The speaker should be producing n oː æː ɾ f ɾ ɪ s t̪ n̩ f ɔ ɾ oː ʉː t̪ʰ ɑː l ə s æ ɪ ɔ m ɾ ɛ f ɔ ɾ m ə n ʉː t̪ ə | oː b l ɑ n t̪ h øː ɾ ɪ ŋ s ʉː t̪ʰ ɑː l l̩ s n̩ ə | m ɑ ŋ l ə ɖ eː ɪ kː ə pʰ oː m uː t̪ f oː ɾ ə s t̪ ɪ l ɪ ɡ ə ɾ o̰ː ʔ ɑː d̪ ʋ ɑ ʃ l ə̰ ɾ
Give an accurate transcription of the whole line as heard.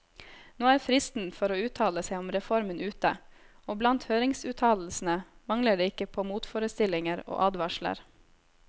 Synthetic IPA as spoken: n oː æː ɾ f ɾ ɪ s t̪ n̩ f ɔ ɾ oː ʉː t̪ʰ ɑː l ə s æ ɪ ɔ m ɾ ɛ f ɔ ɾ m ə n ʉː t̪ ə | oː b l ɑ n t̪ h øː ɾ ɪ ŋ s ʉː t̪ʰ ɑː l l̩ s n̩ ə | m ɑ ŋ l ə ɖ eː ɪ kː ə pʰ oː m uː t̪ f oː ɾ ə s t̪ ɪ l ɪ ŋ ə ɾ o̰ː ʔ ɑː d̪ ʋ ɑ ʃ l ə̰ ɾ